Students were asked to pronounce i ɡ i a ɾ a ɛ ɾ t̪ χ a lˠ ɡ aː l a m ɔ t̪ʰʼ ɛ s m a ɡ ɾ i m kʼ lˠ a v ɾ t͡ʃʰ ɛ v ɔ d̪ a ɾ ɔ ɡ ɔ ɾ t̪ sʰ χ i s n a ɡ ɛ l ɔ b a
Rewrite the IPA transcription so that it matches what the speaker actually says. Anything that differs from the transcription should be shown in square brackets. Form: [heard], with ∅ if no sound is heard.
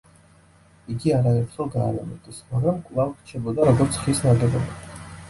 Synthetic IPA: i ɡ i a ɾ a ɛ ɾ t̪ χ [ɛ] lˠ ɡ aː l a m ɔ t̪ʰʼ ɛ s m a ɡ ɾ [a] m kʼ lˠ a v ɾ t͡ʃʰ ɛ [b] ɔ d̪ a ɾ ɔ ɡ ɔ ɾ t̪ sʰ χ i s n a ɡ ɛ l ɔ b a